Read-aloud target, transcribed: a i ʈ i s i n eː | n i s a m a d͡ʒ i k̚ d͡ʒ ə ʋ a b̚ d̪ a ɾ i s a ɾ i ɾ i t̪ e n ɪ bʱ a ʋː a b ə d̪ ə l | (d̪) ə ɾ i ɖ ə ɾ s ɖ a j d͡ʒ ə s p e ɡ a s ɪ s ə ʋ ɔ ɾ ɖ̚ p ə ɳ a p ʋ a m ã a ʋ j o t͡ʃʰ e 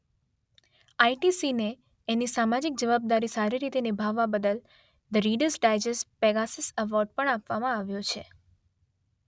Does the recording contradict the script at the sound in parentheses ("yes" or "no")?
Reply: no